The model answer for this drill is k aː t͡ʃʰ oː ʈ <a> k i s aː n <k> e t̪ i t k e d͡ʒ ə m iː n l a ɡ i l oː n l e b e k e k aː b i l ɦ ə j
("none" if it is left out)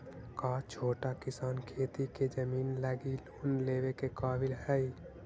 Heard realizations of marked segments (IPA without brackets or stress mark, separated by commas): a, kʰ